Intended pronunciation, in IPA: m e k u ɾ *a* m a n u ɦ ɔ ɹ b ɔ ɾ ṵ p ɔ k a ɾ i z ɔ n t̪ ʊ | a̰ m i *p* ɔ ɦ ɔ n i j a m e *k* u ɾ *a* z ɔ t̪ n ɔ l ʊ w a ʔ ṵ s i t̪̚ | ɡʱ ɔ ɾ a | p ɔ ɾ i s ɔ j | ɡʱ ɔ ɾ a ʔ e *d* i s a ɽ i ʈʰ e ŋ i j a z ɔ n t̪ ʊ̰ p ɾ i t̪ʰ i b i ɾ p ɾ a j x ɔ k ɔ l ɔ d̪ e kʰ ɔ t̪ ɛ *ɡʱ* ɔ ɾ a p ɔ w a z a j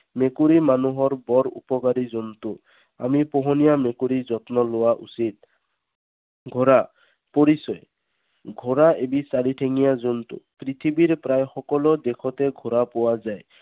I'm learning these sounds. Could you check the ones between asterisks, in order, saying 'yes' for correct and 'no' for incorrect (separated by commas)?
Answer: no, yes, yes, no, no, yes